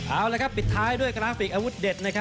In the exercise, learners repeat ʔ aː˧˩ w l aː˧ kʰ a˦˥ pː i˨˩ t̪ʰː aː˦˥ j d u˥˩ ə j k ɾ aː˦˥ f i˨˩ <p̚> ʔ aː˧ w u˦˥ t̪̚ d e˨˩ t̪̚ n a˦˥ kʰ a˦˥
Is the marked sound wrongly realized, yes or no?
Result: yes